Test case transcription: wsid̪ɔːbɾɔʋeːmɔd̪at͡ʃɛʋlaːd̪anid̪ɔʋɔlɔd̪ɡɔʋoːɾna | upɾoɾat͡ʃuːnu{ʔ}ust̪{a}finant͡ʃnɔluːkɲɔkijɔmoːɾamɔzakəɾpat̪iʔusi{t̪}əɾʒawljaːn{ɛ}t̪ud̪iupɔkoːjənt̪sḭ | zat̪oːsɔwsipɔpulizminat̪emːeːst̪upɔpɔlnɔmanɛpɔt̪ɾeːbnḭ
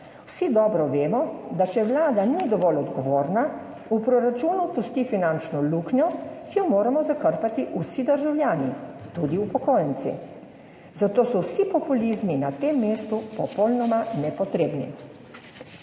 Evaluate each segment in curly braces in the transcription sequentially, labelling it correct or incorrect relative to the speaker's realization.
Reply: incorrect: p, incorrect: i, incorrect: d̪, incorrect: i

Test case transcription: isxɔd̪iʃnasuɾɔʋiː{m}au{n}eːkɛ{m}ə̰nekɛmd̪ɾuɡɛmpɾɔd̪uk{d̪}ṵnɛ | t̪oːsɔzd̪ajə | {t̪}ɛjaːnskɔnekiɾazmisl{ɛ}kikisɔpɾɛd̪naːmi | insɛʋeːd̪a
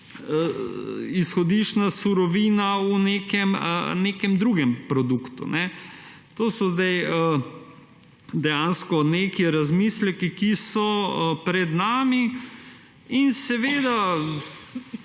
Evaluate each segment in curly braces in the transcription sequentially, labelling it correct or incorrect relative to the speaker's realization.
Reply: incorrect: n, correct, correct, incorrect: t̪, incorrect: d̪, correct

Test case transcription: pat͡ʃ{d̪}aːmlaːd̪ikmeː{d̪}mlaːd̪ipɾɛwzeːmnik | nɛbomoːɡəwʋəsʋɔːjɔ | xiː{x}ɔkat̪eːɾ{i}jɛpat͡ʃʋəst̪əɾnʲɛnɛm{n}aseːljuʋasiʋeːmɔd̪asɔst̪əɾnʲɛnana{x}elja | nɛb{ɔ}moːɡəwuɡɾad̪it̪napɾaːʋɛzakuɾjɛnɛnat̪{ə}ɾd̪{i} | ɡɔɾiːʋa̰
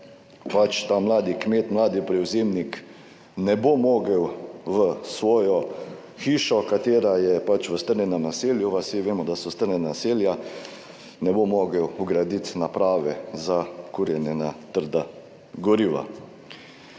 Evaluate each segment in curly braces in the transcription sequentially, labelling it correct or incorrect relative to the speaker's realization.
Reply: incorrect: t̪, incorrect: t̪, incorrect: ʃ, incorrect: a, correct, incorrect: s, incorrect: o, correct, incorrect: a

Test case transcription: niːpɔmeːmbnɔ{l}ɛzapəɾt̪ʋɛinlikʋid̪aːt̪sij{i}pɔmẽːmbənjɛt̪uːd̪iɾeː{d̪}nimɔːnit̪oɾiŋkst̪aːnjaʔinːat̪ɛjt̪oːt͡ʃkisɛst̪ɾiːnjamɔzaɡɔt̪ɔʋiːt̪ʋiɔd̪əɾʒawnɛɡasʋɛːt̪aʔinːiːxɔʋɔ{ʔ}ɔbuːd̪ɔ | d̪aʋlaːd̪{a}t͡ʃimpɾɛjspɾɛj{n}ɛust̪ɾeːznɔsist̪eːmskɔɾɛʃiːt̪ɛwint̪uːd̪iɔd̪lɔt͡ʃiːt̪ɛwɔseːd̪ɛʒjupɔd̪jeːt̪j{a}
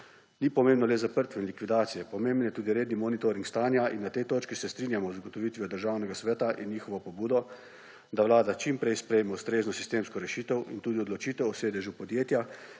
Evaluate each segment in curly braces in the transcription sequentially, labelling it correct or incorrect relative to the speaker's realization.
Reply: correct, incorrect: ɛ, correct, incorrect: p, correct, incorrect: m, correct

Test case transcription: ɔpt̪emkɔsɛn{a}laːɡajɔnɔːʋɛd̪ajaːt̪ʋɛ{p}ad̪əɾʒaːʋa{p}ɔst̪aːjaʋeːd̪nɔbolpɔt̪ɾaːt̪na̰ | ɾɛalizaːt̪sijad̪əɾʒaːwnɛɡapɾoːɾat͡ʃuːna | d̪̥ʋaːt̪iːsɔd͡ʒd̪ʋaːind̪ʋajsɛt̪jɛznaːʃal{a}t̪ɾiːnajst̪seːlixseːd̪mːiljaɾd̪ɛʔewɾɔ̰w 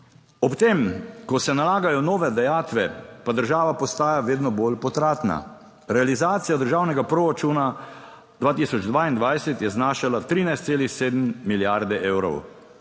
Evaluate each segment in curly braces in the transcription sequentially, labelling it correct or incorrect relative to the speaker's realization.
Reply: correct, correct, correct, correct

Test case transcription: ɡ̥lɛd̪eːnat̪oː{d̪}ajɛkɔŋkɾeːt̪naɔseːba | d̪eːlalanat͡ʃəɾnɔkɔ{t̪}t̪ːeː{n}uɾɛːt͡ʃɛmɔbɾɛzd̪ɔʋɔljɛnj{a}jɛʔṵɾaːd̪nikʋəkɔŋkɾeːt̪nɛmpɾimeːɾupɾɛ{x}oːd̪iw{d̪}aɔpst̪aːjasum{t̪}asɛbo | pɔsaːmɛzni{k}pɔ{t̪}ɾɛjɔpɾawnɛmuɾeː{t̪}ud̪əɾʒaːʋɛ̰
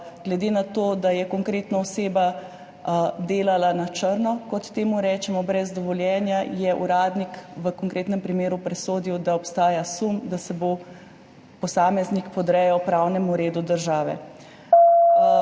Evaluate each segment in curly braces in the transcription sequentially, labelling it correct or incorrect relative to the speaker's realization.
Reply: correct, correct, incorrect: m, correct, incorrect: s, correct, incorrect: d̪, correct, incorrect: d̪, incorrect: d̪

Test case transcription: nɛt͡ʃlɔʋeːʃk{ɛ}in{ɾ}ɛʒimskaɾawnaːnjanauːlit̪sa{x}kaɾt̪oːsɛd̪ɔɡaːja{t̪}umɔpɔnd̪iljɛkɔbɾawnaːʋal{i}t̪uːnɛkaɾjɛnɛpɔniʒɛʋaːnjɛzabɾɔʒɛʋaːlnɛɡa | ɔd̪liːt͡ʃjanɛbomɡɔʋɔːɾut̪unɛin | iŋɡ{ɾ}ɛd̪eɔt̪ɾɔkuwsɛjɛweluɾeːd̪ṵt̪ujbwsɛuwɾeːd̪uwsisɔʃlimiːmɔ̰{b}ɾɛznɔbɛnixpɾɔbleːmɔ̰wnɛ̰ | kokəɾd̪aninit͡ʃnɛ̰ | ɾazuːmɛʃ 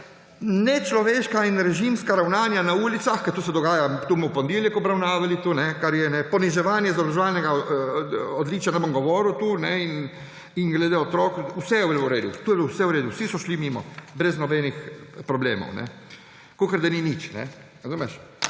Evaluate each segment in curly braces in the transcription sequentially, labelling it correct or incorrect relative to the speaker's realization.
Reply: incorrect: a, correct, correct, correct, correct, incorrect: l, correct

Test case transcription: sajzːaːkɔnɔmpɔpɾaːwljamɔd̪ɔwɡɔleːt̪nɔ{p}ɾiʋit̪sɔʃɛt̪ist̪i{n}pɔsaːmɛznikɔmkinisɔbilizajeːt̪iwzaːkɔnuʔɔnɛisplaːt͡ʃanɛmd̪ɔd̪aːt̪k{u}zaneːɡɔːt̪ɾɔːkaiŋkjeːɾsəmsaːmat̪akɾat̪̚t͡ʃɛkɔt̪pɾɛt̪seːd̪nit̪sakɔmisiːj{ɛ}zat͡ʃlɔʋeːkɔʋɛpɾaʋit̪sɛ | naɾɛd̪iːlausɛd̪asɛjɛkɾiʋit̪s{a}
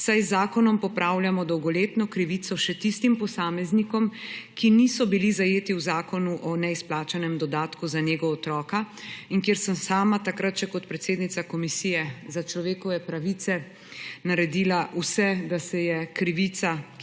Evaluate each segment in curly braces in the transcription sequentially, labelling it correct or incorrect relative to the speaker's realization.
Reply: incorrect: k, incorrect: m, correct, correct, correct

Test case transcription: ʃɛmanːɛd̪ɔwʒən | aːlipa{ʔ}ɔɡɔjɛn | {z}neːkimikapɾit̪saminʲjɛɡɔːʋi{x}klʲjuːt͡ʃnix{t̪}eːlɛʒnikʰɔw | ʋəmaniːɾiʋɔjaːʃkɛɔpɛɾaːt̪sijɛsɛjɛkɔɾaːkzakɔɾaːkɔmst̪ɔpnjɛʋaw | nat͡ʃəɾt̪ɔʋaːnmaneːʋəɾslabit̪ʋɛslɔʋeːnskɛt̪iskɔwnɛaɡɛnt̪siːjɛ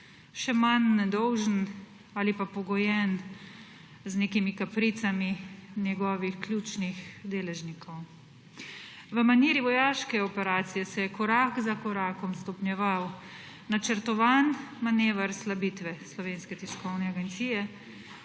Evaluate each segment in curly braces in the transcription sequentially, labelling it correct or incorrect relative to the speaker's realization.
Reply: incorrect: p, correct, correct, incorrect: d̪

